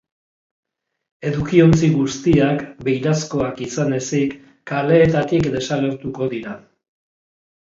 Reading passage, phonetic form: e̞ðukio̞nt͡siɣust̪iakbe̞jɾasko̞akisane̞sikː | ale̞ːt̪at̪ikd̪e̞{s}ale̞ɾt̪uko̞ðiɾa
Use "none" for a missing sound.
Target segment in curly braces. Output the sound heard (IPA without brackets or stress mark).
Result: s